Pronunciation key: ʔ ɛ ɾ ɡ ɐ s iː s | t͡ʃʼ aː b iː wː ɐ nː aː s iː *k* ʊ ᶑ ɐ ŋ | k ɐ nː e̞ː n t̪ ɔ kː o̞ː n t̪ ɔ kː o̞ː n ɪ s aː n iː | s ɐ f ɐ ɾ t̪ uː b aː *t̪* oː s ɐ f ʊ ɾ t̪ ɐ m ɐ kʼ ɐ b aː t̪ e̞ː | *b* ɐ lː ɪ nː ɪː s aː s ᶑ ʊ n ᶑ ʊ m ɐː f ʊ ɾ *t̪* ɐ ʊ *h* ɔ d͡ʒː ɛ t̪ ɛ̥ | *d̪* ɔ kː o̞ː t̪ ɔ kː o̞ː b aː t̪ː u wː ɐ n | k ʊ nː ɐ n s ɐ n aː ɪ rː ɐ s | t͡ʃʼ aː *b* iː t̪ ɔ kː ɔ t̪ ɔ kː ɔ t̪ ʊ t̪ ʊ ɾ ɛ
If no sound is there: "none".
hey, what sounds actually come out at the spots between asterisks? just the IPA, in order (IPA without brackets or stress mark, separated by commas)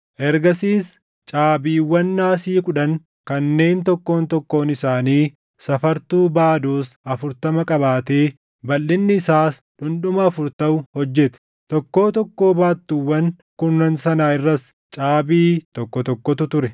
k, d̪, b, t̪, h, t̪, b